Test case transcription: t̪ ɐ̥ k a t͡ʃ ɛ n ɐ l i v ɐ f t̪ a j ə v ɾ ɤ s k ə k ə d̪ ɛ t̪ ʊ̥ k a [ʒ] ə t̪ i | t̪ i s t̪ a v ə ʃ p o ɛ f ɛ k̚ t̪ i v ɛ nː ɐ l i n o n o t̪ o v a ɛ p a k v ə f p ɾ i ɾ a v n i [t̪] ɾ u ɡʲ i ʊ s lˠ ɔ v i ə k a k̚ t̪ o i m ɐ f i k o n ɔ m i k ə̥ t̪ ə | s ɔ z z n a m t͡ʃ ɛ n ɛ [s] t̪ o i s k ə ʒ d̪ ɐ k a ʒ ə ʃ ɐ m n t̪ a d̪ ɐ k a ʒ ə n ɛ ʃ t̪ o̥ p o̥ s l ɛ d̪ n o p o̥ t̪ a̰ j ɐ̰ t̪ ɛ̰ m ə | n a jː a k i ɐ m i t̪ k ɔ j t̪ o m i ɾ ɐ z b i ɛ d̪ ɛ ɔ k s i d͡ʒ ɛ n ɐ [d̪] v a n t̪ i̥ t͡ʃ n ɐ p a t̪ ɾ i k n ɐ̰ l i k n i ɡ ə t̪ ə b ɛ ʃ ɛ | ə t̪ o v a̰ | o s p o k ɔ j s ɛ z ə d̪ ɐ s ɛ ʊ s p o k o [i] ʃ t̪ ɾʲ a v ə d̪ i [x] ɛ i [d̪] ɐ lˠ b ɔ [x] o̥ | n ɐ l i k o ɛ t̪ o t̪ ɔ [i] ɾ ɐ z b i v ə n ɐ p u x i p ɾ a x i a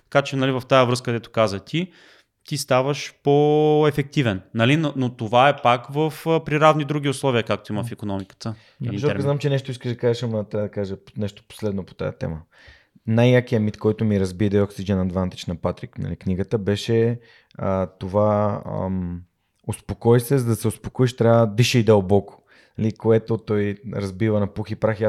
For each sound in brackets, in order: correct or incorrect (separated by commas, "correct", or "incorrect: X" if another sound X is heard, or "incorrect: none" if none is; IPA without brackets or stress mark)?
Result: incorrect: z, incorrect: d̪, incorrect: ʃ, correct, correct, incorrect: ʃ, correct, incorrect: k, incorrect: j